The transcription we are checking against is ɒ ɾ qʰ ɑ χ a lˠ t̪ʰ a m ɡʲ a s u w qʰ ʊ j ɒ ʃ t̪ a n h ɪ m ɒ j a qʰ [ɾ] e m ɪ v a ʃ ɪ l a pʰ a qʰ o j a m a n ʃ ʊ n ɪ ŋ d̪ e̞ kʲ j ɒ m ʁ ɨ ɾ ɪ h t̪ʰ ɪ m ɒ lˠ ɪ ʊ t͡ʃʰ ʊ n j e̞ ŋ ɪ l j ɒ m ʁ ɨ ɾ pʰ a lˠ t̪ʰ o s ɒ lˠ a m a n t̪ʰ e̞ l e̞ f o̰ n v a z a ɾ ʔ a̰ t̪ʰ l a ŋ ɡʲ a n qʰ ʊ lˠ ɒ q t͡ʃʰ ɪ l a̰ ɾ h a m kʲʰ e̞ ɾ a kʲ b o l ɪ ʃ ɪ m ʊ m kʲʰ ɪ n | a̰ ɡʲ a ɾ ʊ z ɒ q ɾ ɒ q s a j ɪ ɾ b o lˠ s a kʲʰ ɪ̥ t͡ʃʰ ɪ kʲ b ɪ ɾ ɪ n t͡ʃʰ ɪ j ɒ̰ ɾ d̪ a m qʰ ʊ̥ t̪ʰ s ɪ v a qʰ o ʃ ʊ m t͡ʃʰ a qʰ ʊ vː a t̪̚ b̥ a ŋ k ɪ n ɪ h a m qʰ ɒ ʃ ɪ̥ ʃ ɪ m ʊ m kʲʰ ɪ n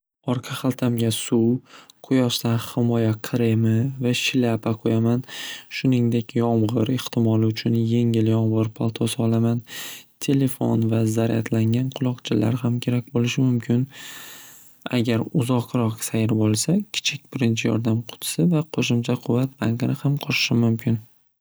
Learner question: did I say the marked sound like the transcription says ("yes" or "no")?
yes